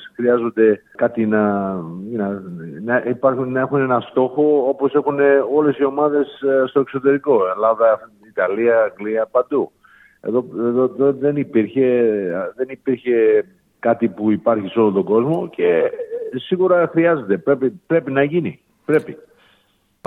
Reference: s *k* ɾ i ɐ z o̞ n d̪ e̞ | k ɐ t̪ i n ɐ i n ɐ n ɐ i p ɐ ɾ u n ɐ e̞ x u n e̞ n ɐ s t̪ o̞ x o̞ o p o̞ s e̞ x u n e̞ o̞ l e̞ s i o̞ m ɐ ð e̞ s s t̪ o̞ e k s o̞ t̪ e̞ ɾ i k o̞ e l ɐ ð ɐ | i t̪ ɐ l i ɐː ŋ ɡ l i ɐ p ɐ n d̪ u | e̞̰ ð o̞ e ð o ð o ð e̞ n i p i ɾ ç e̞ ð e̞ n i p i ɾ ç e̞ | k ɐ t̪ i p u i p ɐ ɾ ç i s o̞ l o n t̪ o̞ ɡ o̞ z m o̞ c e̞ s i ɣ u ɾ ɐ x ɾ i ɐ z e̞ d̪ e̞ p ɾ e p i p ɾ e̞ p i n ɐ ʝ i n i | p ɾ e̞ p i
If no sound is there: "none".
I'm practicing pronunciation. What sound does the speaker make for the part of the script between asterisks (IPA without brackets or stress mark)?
x